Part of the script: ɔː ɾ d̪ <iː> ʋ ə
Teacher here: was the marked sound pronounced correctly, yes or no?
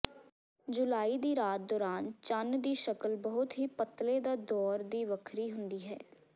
yes